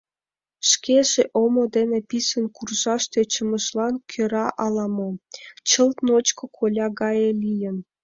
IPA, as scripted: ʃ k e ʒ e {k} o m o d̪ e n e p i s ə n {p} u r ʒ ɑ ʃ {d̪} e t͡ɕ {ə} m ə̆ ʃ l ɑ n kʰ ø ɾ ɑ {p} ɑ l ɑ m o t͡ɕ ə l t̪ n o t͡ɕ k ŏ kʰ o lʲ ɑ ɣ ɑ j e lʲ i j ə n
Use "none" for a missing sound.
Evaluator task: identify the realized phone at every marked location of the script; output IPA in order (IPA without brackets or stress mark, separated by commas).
ʔ, k, t̪, ə, ʔ